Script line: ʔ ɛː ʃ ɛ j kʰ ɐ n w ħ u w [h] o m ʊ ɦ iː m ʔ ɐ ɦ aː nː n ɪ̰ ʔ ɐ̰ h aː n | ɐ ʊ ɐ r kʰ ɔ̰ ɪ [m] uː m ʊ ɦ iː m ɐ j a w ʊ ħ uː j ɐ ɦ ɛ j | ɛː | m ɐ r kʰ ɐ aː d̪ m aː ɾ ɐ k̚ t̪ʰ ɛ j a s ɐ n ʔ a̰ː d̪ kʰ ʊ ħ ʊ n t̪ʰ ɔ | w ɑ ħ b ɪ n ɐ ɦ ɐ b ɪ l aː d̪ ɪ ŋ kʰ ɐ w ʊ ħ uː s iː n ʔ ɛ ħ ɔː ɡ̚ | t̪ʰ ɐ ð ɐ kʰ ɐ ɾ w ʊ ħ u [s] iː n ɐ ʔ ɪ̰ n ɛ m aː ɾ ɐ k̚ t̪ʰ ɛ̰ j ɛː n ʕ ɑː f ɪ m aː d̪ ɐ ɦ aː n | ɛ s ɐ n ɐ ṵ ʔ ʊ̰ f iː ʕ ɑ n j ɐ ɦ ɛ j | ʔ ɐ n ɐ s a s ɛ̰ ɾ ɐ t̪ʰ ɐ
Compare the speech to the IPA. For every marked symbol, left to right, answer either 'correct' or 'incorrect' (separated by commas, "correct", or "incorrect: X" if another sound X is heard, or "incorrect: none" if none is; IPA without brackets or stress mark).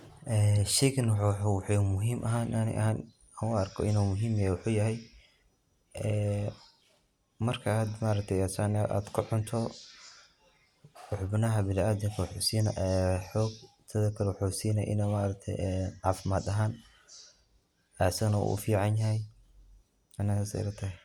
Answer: incorrect: ħ, incorrect: n, correct